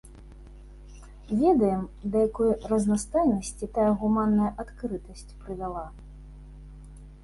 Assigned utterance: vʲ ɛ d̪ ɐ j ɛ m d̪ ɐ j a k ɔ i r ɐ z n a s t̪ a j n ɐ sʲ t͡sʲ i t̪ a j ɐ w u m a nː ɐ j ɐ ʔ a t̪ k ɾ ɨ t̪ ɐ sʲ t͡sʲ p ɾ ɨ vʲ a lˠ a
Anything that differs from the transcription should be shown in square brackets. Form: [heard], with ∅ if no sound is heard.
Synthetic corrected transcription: vʲ ɛ d̪ ɐ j ɛ m d̪ ɐ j a k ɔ [j] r ɐ z n a s t̪ a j n ɐ sʲ t͡sʲ i t̪ a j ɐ [ɣ] u m a nː ɐ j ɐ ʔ a t̪ k ɾ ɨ t̪ ɐ sʲ t͡sʲ p ɾ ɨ vʲ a lˠ a

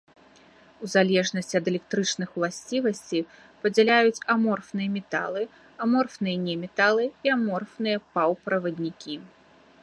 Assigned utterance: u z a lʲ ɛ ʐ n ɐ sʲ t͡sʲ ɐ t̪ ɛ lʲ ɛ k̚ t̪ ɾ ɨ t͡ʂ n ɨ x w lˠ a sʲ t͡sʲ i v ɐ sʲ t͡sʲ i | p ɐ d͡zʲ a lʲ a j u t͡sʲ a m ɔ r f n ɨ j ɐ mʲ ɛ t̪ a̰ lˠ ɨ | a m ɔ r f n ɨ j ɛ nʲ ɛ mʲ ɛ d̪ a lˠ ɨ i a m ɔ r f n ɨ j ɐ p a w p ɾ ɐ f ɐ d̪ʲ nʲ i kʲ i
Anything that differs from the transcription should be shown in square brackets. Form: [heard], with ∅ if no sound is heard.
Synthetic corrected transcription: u z a lʲ ɛ ʐ n ɐ sʲ t͡sʲ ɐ [d̪] ɛ lʲ ɛ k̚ t̪ ɾ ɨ t͡ʂ n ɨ x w lˠ a sʲ t͡sʲ i v ɐ sʲ t͡sʲ i | p ɐ d͡zʲ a lʲ a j u t͡sʲ a m ɔ r f n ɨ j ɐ mʲ ɛ t̪ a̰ lˠ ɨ | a m ɔ r f n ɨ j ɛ nʲ ɛ mʲ ɛ [t̪] a lˠ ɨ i a m ɔ r f n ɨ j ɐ p a w p ɾ ɐ [v] ɐ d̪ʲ nʲ i kʲ i

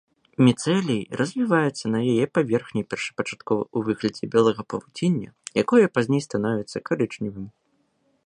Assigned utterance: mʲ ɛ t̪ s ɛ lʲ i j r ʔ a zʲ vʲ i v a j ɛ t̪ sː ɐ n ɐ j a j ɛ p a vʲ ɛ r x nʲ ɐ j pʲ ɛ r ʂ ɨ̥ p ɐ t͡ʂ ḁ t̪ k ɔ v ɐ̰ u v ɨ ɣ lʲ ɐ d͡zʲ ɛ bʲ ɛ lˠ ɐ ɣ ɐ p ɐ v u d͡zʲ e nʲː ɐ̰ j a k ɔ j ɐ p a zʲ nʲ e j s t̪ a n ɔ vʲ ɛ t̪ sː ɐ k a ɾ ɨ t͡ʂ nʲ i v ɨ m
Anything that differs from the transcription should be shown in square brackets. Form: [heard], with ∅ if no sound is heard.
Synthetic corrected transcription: mʲ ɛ t̪ s ɛ lʲ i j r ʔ [ɐ] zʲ vʲ i v a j ɛ t̪ sː ɐ n ɐ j a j ɛ p a vʲ ɛ r x nʲ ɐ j pʲ ɛ r ʂ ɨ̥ p ɐ t͡ʂ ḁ t̪ k ɔ v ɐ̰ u v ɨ ɣ lʲ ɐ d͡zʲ ɛ bʲ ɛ lˠ ɐ ɣ ɐ p ɐ v u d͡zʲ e nʲː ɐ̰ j a k ɔ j ɐ p a zʲ nʲ e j s t̪ a n ɔ vʲ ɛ t̪ sː ɐ k a ɾ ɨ t͡ʂ nʲ i v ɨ m

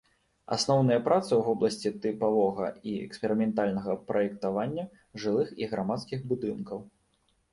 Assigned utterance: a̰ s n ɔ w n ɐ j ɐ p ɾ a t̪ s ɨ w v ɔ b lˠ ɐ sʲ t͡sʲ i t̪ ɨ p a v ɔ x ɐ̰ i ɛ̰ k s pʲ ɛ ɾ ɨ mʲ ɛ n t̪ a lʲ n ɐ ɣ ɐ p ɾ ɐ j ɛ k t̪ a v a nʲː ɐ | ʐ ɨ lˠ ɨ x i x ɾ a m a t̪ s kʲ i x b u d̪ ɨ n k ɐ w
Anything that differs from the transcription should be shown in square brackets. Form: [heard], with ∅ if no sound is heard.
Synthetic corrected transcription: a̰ s n ɔ w n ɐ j ɐ p ɾ a t̪ s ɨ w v ɔ b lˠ ɐ sʲ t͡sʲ i t̪ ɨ p a v ɔ [ɣ] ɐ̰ i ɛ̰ k s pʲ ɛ ɾ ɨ mʲ ɛ n t̪ a lʲ n ɐ ɣ ɐ p ɾ ɐ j ɛ k t̪ a v a nʲː ɐ | ʐ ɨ lˠ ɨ x i [ɣ] ɾ a m a t̪ s kʲ i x b u d̪ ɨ n k ɐ w

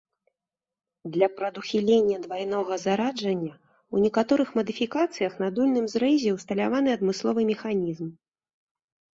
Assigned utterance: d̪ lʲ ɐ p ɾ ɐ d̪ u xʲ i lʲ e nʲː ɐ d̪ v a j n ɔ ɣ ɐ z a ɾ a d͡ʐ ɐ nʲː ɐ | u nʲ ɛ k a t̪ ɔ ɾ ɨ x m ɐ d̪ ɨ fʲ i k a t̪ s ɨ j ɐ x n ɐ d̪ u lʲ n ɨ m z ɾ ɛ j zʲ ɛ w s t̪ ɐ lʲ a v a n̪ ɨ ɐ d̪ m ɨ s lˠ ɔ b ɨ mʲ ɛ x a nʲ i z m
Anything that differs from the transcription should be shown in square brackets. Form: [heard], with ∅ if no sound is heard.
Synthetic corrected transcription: d̪ lʲ ɐ p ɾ ɐ d̪ u xʲ i lʲ e nʲː ɐ d̪ v a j n ɔ ɣ ɐ z a ɾ a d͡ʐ ɐ nʲː ɐ | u nʲ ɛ k a t̪ ɔ ɾ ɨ x m ɐ d̪ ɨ fʲ i k a t̪ s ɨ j ɐ x n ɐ d̪ u lʲ n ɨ m z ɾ ɛ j zʲ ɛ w s t̪ ɐ lʲ a v a n̪ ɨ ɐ d̪ m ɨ s lˠ ɔ [v] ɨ mʲ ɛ x a nʲ i z m

